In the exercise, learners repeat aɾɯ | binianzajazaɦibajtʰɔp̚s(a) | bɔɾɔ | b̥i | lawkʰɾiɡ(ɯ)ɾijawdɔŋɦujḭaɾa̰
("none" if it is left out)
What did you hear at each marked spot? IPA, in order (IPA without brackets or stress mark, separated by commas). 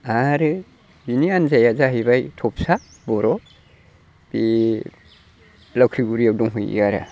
a, u